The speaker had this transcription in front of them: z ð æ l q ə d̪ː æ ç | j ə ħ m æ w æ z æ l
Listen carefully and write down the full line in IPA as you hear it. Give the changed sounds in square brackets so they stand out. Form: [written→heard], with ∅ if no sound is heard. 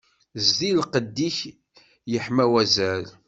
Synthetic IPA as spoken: z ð [æ→i] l q ə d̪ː [æ→i] ç | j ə ħ m æ w æ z æ l